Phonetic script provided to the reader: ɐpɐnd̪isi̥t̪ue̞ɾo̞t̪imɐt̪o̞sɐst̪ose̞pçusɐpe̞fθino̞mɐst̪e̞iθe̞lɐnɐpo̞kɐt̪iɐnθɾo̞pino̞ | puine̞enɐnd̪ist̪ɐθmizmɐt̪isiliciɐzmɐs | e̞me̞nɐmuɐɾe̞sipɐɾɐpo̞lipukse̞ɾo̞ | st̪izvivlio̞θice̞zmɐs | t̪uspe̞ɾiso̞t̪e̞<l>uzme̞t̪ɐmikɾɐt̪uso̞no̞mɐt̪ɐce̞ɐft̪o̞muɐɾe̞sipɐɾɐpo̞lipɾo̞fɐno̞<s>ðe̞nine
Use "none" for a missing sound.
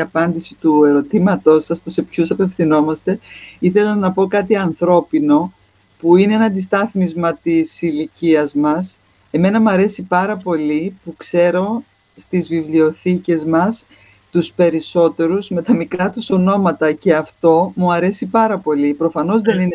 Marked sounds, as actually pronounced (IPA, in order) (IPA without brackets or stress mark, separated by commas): ɾ, z